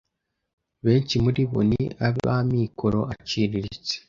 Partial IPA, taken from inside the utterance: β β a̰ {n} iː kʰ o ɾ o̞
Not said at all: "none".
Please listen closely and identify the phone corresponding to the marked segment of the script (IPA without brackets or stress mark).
m